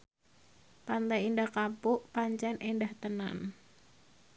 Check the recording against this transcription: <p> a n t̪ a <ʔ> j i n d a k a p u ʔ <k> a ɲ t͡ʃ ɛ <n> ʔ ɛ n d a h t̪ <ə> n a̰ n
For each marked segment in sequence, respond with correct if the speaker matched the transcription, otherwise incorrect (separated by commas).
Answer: correct, incorrect, incorrect, correct, correct